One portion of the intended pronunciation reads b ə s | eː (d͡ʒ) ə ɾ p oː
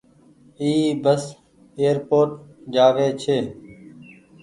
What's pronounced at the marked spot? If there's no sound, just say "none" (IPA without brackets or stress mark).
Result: none